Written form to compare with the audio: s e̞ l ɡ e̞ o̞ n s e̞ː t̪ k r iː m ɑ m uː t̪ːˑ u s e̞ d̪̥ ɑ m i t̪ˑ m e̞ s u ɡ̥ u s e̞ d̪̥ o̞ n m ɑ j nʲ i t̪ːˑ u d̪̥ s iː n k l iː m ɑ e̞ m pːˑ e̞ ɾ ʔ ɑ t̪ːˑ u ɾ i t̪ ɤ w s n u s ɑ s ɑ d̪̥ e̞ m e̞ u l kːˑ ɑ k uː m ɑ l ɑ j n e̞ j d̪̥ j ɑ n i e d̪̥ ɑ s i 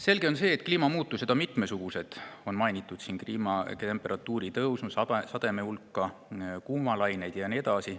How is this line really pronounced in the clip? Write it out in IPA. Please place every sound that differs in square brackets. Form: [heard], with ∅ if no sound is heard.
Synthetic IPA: s e̞ l ɡ e̞ o̞ n s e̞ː t̪ k [l] iː m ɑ m uː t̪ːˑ u s e̞ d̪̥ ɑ m i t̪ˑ m e̞ s u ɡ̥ u s e̞ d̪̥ o̞ n m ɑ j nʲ i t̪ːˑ u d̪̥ s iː n k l iː m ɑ e̞ m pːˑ e̞ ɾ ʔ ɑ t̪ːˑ [uː] ɾ i t̪ ɤ w s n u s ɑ s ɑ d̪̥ e̞ m e̞ u l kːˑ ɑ k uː m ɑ l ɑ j n e̞ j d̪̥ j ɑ n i e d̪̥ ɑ s i